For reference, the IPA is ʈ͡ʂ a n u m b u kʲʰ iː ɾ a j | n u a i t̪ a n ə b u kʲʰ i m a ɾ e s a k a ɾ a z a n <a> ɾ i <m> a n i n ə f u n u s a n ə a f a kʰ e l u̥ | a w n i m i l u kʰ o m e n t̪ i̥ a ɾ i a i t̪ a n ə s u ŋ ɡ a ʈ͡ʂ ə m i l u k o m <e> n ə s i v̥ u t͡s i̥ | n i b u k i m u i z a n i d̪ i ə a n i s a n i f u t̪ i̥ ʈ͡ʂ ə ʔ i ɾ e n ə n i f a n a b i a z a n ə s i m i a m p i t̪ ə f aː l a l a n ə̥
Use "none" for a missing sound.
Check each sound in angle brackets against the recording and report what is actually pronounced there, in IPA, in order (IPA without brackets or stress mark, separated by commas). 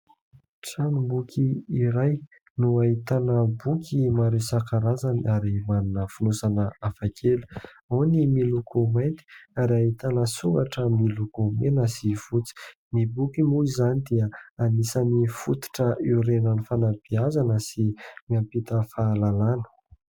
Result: a, m, e